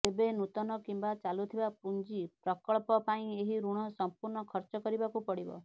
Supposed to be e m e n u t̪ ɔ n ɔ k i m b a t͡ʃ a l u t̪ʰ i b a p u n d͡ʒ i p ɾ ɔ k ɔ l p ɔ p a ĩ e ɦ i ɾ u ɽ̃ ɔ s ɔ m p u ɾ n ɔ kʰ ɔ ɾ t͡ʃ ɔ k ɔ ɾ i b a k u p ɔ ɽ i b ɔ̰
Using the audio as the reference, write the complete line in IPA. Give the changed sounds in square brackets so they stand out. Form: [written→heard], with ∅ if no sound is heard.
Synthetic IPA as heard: e [m→b] e n u t̪ ɔ n ɔ k i m b a t͡ʃ a l u t̪ʰ i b a p u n d͡ʒ i p ɾ ɔ k ɔ [l→ɭ] p ɔ p a ĩ e ɦ i ɾ u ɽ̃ ɔ s ɔ m p u ɾ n ɔ kʰ ɔ ɾ t͡ʃ ɔ k ɔ ɾ i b a k u p ɔ ɽ i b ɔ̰